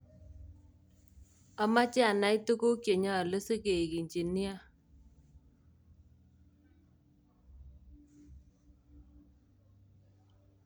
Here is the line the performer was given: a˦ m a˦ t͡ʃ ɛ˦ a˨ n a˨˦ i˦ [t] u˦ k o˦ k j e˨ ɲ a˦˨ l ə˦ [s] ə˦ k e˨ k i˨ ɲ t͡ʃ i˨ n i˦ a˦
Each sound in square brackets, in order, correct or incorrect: correct, correct

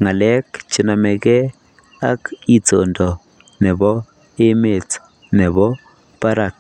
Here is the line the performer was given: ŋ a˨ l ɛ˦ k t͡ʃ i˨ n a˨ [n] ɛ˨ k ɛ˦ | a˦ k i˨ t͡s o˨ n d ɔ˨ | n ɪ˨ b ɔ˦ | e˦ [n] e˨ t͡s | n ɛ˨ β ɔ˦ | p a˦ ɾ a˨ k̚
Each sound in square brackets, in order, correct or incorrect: incorrect: m, incorrect: m

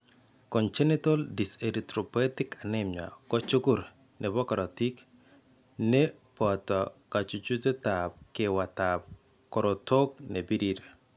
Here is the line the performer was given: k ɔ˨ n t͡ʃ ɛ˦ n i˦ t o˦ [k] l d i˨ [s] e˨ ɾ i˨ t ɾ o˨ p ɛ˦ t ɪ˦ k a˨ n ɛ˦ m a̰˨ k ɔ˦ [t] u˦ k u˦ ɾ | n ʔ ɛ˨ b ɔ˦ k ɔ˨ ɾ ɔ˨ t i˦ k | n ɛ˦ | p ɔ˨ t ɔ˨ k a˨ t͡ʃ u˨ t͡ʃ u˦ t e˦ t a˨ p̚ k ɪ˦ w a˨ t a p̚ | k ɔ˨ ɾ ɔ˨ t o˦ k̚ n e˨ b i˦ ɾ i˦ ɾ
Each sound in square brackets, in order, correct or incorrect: incorrect: none, correct, incorrect: t͡ʃ

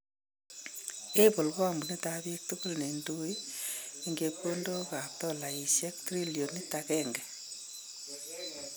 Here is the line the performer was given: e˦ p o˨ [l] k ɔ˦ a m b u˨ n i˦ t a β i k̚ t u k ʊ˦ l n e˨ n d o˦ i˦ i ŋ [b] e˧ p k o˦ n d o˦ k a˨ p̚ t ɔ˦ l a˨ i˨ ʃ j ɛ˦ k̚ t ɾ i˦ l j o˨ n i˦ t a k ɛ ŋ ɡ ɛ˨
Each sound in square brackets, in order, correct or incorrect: correct, incorrect: ɡ

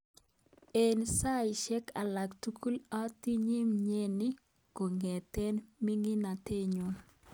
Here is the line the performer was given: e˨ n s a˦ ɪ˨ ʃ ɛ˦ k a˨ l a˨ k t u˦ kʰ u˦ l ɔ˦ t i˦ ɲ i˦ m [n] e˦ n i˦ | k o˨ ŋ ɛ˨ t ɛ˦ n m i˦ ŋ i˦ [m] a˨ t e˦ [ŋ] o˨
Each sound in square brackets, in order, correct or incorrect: incorrect: ɲ, incorrect: n, incorrect: ɲ

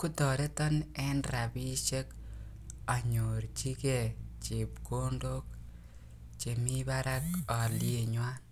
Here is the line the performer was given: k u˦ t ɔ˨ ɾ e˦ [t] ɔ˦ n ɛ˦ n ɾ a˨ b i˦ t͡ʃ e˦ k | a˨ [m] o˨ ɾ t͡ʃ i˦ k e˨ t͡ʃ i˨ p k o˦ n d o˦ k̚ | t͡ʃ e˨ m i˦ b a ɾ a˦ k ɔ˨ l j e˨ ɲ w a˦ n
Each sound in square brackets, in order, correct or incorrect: correct, incorrect: ɲ

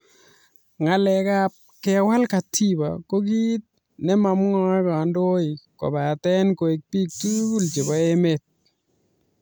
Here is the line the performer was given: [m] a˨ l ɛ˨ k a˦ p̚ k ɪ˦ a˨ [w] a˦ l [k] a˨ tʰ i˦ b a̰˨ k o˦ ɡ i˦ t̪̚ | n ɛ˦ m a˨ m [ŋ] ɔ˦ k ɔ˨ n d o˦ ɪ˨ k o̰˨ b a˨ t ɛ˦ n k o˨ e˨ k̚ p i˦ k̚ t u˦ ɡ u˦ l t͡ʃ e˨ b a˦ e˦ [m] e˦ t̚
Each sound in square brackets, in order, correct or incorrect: incorrect: ŋ, correct, correct, correct, correct

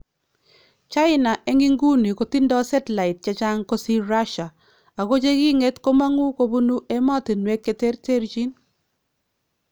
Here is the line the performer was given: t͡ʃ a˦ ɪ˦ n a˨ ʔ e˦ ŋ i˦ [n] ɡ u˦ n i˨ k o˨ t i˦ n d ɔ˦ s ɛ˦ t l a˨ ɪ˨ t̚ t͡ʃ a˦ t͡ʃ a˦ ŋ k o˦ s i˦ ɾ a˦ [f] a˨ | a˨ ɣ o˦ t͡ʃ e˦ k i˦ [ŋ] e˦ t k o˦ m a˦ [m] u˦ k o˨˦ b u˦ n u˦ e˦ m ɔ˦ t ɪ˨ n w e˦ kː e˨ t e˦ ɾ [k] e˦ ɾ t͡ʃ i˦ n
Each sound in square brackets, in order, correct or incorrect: incorrect: ŋ, incorrect: ʃ, correct, incorrect: ŋ, incorrect: t

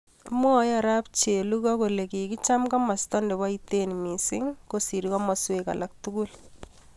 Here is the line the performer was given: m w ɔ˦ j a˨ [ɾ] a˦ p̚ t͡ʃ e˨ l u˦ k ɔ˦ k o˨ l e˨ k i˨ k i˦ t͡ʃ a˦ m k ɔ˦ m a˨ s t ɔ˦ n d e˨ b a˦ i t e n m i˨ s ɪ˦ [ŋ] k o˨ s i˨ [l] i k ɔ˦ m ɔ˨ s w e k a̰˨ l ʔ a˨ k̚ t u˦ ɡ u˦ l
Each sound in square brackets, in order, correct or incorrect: correct, correct, incorrect: ɾ

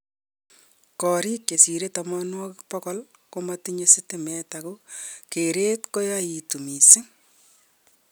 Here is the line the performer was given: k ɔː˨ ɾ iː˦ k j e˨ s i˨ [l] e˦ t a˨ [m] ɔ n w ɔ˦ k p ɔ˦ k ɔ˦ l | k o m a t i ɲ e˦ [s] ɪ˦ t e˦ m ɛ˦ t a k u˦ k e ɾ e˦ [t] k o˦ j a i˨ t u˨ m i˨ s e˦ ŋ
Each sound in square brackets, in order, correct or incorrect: incorrect: ɾ, correct, correct, correct

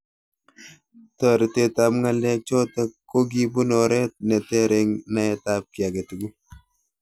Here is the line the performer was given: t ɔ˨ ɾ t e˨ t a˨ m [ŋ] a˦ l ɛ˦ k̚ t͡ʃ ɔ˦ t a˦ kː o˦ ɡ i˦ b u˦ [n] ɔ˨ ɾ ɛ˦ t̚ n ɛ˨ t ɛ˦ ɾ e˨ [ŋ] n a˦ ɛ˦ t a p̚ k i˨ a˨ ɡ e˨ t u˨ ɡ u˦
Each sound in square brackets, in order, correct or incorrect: correct, correct, correct

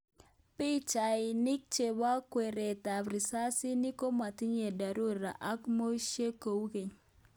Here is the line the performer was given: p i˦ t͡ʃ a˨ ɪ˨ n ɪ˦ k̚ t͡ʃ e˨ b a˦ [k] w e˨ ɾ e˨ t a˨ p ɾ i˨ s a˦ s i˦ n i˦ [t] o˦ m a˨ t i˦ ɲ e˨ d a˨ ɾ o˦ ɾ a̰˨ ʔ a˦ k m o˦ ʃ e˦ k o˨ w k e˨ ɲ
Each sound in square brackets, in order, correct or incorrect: correct, incorrect: k

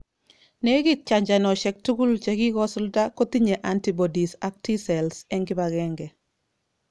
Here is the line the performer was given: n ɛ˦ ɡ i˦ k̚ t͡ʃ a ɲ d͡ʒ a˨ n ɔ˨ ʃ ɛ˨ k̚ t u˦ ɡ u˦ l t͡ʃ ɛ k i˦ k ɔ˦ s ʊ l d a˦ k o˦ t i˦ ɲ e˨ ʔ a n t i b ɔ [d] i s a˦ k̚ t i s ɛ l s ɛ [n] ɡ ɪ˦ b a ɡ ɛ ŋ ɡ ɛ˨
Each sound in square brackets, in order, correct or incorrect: correct, incorrect: ŋ

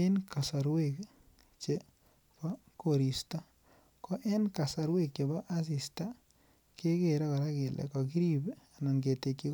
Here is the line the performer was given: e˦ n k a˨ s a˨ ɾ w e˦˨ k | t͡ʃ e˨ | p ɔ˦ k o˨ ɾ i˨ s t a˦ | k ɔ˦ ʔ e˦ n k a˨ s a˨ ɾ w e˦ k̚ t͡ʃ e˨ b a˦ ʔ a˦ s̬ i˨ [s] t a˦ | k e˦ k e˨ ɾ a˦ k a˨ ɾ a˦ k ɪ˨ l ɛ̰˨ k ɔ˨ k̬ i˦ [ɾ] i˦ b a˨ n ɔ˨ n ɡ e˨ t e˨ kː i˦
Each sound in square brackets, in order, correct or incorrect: correct, correct

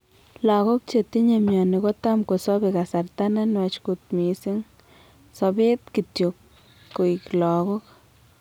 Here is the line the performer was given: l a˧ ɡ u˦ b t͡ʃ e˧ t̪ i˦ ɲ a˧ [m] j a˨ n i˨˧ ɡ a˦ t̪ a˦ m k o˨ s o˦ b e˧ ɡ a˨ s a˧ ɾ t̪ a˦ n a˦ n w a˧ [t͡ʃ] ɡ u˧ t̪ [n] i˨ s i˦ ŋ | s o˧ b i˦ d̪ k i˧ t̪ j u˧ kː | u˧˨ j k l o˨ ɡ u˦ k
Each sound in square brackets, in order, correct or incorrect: correct, correct, incorrect: m

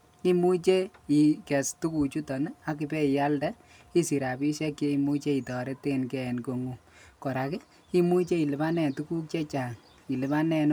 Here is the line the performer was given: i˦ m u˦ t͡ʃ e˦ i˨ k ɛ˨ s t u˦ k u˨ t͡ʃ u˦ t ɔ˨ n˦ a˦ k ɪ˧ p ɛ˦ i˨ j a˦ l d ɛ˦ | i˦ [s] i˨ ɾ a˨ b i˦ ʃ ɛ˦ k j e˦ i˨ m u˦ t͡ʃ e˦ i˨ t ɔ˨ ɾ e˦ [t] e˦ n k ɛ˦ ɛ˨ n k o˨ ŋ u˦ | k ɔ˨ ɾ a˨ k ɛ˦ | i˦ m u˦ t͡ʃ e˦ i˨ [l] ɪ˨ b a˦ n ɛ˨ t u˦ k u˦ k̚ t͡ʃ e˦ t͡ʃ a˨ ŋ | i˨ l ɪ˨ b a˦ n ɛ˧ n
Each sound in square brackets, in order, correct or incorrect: correct, correct, correct

